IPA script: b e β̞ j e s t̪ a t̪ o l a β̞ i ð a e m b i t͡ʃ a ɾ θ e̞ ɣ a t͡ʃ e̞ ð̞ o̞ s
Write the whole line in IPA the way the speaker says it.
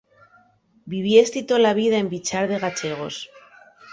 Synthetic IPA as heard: b i β̞ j e s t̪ i t̪ o l a β̞ i ð a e m b i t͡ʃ a ɾ ð e̞ ɣ a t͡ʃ e̞ ɣ̞ o̞ s

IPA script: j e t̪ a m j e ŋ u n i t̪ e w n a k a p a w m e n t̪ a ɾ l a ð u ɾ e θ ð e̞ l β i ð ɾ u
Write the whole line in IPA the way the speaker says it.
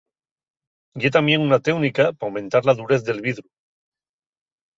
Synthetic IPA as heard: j e t̪ a m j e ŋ u n a t̪ e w n i k a p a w m e n t̪ a ɾ l a ð u ɾ e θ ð e̞ l β i ð ɾ u

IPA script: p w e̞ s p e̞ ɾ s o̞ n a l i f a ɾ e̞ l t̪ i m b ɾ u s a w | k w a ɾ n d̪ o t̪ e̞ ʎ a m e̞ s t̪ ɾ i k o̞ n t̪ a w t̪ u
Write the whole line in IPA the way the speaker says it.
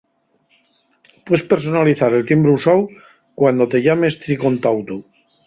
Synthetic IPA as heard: p w e̞ s p e̞ ɾ s o̞ n a l i θ a ɾ e̞ l t̪ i m b ɾ u s a w | k w a n d̪ o t̪ e̞ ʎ a m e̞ s t̪ ɾ i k o̞ n t̪ a w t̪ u

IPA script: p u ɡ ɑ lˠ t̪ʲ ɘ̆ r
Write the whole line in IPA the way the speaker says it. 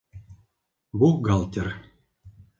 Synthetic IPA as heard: b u ɡ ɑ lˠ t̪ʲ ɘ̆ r

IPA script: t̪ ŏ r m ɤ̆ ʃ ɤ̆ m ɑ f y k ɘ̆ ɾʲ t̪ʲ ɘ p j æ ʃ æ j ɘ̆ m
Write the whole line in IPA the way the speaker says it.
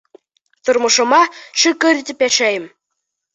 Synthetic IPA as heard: t̪ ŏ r m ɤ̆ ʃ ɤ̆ m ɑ ʃ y k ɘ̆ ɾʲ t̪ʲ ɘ p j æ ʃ æ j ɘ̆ m

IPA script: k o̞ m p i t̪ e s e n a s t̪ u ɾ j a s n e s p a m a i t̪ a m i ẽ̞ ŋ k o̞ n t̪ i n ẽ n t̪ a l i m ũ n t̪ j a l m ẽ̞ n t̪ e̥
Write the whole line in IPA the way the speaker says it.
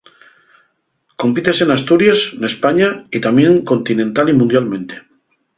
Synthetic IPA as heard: k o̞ m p i t̪ e s e n a s t̪ u ɾ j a s n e s p a ɲ a i t̪ a m j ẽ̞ ŋ k o̞ n t̪ i n ẽ n t̪ a l i m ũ n d̪ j a l m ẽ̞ n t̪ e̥

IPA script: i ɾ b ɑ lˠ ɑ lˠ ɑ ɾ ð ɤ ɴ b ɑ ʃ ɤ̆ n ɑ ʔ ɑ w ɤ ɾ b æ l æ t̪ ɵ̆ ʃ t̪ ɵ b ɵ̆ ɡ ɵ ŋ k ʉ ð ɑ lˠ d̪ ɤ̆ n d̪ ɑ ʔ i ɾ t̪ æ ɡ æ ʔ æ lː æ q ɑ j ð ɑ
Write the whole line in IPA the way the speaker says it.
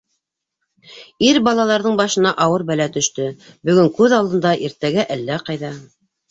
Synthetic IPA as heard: i ɾ b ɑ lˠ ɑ lˠ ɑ ɾ ð ɤ ɴ b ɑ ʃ ɤ̆ n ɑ ʔ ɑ w ɤ ɾ b æ l æ t̪ ɵ̆ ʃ t̪ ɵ b ɵ̆ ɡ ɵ ŋ k ʉ ð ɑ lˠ d̪ ɤ̆ n d̪ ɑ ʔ i ɾ t̪ æ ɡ æ ʔ æ lː æ q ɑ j ð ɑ

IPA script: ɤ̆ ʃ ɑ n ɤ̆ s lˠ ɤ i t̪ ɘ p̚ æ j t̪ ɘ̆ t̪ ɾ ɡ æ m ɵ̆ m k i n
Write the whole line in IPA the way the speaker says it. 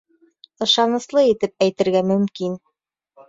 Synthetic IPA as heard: ɤ̆ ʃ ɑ n ɤ̆ s lˠ ɤ i t̪ ɘ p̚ æ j t̪ ɘ̆ ɾ ɡ æ m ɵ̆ m k i n

